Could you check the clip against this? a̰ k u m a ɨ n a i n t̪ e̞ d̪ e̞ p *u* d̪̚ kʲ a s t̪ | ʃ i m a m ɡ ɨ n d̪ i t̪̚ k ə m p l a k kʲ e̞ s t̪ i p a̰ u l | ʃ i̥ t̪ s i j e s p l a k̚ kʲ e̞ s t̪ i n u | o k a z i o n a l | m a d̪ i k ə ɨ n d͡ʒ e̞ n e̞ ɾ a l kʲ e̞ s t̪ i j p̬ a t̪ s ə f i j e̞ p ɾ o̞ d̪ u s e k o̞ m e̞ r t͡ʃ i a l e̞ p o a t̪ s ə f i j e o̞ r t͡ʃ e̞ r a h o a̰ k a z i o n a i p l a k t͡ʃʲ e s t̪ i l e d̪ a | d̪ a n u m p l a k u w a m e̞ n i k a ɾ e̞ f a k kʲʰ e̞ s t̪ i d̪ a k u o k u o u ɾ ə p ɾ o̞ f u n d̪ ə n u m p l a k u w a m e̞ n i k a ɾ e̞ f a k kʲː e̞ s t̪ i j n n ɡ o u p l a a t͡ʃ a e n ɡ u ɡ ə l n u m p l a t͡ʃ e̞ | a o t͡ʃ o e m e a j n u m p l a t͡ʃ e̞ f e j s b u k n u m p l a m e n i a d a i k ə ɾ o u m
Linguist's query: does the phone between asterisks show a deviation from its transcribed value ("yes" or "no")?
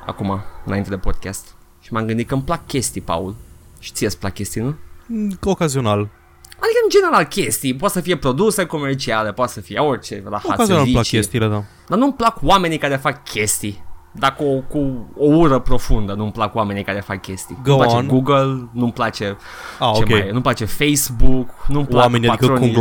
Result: yes